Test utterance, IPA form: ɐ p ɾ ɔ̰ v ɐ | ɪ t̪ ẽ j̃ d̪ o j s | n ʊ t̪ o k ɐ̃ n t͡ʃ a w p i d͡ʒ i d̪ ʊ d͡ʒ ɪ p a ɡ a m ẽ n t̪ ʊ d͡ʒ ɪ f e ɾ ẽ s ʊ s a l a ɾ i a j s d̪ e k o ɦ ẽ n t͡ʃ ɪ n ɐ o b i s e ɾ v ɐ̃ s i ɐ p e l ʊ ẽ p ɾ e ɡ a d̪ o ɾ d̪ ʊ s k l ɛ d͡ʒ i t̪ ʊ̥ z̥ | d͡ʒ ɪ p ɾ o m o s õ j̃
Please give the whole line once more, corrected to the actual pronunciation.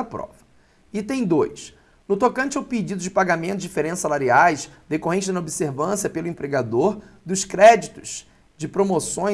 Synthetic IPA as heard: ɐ p ɾ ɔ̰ v ɐ | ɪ t̪ ẽ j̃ d̪ o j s | n ʊ t̪ o k ɐ̃ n t͡ʃ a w p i d͡ʒ i d̪ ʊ d͡ʒ ɪ p a ɡ a m ẽ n t̪ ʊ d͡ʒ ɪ f e ɾ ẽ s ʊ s a l a ɾ i a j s d̪ e k o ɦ ẽ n t͡ʃ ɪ n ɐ o b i s e ɾ v ɐ̃ s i ɐ p e l ʊ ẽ p ɾ e ɡ a d̪ o ɾ d̪ ʊ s k ɾ ɛ d͡ʒ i t̪ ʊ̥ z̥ | d͡ʒ ɪ p ɾ o m o s õ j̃